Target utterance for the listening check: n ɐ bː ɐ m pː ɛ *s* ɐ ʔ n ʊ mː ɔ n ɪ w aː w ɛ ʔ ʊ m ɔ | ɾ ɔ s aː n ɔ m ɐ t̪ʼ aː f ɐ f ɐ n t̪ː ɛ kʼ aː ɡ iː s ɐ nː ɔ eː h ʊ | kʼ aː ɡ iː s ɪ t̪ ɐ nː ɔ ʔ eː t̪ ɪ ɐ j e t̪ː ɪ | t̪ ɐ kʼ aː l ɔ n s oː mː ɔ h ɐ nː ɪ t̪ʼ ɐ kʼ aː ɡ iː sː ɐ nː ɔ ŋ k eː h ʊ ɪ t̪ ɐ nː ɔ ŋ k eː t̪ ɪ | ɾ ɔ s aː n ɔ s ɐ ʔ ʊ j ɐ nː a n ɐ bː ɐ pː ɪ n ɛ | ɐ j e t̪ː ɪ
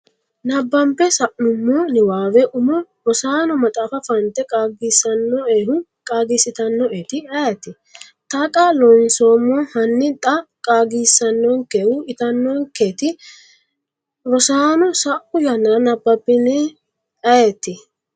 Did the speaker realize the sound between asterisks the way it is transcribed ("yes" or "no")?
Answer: yes